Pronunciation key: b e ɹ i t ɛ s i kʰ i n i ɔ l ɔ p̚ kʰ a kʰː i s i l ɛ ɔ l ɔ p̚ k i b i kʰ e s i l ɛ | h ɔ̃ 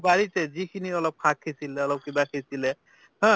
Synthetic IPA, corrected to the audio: b a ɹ i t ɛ z i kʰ i n i ɔ l ɔ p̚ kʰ a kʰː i s i l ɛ ɔ l ɔ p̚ k i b a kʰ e s i l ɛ | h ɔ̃